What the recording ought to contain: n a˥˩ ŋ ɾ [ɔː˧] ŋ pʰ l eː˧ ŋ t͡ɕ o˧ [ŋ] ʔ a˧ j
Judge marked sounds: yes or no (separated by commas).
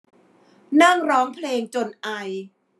no, no